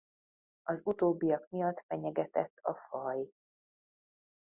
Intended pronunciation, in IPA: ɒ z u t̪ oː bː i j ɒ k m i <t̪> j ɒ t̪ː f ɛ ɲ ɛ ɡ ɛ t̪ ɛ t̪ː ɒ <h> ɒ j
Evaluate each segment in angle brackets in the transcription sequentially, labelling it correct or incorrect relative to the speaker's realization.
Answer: incorrect: none, incorrect: f

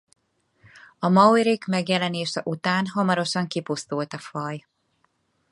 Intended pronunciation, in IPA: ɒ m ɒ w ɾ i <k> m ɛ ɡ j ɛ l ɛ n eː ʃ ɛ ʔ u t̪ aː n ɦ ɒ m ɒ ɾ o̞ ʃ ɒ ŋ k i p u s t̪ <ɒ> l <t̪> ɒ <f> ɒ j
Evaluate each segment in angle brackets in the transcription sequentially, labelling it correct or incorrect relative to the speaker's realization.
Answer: correct, incorrect: u, correct, correct

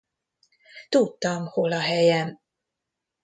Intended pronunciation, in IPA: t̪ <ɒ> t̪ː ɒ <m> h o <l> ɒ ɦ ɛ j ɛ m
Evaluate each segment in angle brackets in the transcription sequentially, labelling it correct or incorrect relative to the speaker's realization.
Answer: incorrect: u, correct, correct

